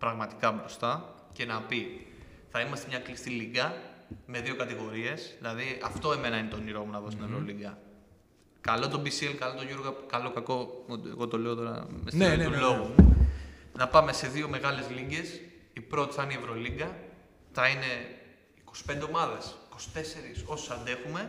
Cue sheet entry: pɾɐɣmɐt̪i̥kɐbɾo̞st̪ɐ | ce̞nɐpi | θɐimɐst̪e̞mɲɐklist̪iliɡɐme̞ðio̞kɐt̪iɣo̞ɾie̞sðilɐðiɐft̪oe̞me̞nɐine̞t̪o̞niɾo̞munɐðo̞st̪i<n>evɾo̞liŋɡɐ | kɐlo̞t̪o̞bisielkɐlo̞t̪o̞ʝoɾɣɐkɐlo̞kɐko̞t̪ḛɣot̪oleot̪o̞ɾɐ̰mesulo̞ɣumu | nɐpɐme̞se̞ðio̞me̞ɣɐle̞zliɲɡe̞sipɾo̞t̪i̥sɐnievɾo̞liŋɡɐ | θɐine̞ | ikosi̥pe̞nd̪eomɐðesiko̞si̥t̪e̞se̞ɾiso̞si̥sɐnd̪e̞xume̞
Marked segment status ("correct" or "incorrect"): correct